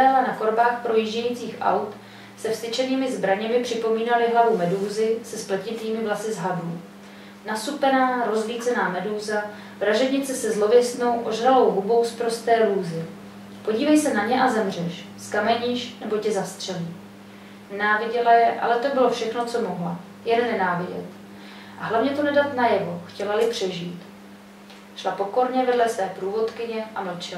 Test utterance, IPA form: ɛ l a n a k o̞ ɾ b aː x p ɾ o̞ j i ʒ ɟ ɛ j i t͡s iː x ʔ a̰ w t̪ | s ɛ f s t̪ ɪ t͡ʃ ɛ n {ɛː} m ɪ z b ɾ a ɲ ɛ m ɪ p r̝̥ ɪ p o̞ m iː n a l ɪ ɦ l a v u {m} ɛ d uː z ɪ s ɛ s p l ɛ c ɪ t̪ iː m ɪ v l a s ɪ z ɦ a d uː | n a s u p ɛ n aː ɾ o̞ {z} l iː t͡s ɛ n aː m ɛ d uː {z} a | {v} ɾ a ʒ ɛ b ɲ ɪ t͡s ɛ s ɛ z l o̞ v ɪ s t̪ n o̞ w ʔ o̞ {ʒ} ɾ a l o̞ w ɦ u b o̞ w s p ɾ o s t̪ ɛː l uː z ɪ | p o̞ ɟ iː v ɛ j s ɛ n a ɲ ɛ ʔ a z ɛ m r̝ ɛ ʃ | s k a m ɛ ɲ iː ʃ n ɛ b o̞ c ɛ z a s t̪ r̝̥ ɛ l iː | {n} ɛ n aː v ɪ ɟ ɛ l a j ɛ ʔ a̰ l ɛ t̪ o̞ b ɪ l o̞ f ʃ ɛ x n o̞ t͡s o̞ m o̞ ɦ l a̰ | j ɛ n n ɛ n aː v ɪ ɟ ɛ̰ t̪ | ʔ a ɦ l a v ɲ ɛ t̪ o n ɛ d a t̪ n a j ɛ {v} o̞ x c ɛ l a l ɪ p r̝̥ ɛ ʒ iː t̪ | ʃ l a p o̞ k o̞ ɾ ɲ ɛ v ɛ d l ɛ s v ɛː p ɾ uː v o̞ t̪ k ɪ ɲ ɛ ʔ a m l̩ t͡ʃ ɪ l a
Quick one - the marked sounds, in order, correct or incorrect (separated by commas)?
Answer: incorrect, correct, correct, correct, correct, correct, correct, correct